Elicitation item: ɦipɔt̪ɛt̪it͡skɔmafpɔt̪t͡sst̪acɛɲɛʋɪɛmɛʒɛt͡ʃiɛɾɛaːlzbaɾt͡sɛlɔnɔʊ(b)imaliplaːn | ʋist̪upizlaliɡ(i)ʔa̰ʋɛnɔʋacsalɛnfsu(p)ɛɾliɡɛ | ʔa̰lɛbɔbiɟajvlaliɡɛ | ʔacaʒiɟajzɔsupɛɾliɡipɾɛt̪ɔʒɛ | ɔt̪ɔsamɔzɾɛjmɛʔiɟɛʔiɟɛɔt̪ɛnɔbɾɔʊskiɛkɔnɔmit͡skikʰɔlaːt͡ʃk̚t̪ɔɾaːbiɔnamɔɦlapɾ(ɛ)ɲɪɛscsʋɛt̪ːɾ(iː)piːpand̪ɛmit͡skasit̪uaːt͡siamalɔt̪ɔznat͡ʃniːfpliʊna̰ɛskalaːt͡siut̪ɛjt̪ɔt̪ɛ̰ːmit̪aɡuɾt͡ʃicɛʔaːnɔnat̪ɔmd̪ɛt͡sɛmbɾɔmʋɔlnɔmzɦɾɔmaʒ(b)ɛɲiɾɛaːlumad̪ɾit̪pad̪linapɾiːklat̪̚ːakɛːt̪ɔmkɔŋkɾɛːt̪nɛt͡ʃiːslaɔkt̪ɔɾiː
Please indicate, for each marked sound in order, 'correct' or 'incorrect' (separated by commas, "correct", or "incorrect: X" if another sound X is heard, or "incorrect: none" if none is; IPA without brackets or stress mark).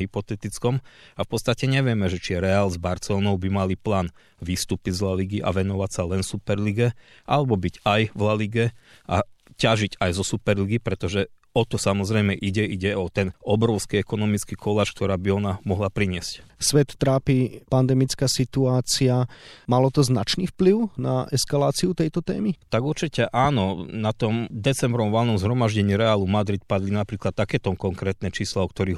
correct, correct, correct, incorrect: i, incorrect: aː, incorrect: ɟ